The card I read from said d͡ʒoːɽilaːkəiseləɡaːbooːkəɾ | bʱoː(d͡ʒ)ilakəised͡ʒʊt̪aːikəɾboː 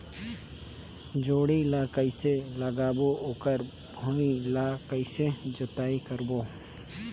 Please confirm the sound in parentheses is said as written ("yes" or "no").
no